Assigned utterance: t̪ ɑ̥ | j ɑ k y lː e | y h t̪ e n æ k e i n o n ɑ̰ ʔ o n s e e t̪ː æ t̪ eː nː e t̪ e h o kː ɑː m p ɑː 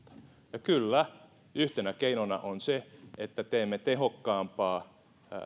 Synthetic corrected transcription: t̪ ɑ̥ | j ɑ k y lː æ | y h t̪ e n æ k e i n o n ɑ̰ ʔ o n s e e t̪ː æ t̪ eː mː e t̪ e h o kː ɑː m p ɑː